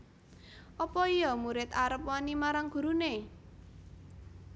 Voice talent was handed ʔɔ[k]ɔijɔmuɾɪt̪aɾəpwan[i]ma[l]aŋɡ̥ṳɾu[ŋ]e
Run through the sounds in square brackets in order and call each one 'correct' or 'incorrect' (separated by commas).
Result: incorrect, correct, incorrect, incorrect